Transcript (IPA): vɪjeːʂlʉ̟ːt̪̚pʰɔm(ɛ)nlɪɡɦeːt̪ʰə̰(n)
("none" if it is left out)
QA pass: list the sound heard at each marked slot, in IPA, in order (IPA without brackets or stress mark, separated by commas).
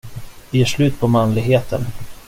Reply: a, n